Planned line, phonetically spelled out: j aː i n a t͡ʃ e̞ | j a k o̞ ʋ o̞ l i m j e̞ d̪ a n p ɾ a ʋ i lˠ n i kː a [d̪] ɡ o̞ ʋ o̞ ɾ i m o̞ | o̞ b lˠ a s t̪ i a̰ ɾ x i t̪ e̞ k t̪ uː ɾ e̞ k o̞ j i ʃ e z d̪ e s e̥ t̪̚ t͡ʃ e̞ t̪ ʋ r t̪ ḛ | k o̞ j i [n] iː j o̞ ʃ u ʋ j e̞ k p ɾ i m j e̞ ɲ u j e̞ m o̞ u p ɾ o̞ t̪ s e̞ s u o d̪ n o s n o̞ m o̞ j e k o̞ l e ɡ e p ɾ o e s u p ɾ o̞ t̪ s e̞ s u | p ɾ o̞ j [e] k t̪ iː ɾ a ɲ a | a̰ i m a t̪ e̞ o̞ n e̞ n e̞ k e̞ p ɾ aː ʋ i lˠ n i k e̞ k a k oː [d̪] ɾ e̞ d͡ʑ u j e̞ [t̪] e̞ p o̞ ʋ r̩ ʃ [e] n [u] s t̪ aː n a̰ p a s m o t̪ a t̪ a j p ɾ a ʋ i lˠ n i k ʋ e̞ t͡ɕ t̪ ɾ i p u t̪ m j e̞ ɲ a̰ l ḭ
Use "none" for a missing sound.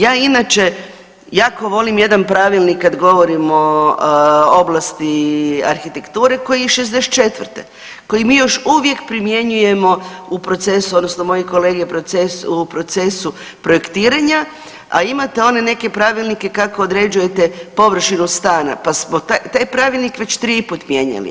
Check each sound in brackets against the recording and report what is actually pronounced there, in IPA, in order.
d̪, m, e, d̪, t̪, i, u

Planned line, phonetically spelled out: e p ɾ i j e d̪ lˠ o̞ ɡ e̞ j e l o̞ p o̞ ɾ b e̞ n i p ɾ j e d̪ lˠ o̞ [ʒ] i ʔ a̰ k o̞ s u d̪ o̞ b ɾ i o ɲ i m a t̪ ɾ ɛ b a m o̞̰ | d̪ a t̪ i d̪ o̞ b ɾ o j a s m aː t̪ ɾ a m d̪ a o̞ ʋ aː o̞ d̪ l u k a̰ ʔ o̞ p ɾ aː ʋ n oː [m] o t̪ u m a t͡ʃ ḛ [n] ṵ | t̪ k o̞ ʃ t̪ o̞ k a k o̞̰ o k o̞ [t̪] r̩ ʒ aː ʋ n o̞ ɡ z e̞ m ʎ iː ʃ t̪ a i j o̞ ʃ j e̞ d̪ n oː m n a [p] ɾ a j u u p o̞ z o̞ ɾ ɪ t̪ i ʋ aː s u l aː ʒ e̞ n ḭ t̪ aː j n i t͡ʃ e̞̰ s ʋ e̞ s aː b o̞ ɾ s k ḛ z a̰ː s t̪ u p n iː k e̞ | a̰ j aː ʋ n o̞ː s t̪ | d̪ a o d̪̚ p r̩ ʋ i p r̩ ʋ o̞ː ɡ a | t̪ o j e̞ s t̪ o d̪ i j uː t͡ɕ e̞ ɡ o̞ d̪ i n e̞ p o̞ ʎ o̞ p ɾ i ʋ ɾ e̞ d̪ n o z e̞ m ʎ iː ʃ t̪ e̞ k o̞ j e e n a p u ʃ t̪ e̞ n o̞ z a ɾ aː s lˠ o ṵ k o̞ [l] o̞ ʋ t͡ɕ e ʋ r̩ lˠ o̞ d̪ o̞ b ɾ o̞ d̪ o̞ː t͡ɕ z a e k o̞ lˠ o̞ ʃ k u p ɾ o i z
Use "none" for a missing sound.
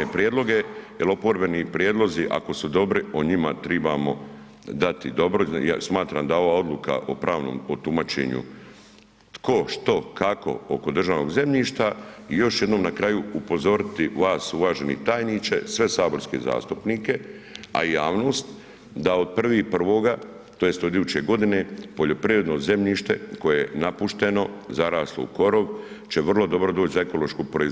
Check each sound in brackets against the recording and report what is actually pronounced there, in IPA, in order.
z, m, ɲ, d̪, k, ɾ

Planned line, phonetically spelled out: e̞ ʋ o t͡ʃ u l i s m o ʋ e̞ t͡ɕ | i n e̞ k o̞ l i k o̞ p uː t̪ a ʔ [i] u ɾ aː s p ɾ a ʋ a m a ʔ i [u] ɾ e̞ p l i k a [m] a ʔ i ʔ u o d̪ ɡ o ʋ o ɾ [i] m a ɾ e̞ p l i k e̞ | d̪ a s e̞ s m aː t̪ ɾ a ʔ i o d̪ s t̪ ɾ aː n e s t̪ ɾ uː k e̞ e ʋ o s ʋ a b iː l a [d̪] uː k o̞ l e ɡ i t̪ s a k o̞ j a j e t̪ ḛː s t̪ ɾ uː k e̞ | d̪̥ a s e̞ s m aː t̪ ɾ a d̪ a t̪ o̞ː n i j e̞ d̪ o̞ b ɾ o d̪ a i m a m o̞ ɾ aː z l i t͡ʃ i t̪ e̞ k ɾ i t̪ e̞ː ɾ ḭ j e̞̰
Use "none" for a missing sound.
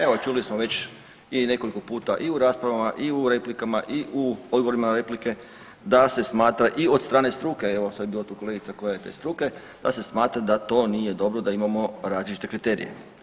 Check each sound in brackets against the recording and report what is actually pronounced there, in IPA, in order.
i, u, m, i, t̪

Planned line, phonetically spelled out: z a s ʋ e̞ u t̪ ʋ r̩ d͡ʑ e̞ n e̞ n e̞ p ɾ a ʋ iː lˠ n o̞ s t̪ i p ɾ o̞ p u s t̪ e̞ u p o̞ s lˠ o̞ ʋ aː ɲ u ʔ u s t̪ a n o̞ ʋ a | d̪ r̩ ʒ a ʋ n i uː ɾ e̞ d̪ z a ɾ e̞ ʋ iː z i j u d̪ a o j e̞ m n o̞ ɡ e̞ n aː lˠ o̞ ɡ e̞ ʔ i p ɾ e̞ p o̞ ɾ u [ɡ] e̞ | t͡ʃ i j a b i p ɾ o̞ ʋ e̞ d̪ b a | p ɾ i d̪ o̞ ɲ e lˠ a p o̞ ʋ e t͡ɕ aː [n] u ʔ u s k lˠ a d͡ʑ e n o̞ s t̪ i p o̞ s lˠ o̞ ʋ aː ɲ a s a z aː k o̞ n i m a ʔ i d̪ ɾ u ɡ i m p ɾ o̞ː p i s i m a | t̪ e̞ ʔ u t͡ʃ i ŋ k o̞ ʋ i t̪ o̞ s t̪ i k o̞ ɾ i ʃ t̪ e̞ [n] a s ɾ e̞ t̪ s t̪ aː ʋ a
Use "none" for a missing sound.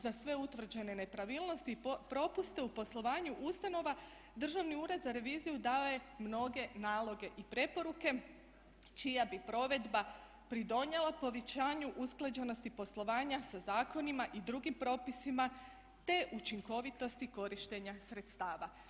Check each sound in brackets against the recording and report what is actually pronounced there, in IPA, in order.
k, ɲ, ɲ

